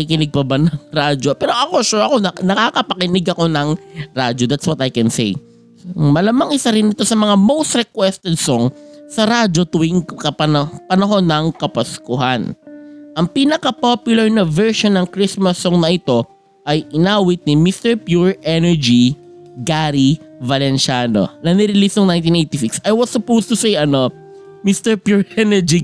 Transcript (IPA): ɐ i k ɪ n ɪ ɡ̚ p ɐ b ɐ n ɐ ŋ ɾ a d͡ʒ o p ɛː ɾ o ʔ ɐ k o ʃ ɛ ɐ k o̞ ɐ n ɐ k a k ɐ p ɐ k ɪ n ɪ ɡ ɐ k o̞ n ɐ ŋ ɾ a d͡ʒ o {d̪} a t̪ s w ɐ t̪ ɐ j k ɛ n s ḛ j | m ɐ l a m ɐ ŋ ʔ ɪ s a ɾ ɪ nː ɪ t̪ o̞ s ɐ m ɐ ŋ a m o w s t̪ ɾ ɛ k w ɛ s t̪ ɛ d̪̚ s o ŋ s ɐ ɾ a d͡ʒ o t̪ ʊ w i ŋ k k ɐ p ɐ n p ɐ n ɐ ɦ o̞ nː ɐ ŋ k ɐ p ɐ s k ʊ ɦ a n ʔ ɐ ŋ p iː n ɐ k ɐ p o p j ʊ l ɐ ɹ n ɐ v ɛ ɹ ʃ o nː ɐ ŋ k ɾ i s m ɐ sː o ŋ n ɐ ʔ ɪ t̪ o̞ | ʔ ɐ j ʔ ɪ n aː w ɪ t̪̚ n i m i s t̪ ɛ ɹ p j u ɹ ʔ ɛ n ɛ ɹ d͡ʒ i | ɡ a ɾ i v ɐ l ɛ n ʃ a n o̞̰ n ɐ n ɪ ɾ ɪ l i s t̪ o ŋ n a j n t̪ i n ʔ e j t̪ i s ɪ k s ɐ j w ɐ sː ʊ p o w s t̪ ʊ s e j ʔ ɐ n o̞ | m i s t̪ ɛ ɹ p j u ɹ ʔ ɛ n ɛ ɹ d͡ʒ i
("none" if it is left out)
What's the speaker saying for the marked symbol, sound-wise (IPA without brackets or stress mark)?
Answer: d̪